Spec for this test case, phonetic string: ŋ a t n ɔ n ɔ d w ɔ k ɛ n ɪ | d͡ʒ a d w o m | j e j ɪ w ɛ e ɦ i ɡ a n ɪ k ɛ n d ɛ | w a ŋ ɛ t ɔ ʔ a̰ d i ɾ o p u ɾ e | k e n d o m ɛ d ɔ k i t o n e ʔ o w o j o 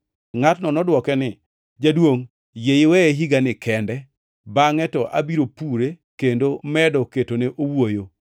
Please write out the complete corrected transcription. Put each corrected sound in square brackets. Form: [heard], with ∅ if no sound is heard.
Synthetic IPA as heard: ŋ a t n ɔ n ɔ d w ɔ k ɛ n ɪ | d͡ʒ a d w o [ŋ] | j e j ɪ w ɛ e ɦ i ɡ a n ɪ k ɛ n d ɛ | [b] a ŋ ɛ t ɔ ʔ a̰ [b] i ɾ o p u ɾ e | k e n d o m ɛ d ɔ k [e] t o n e ʔ o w o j o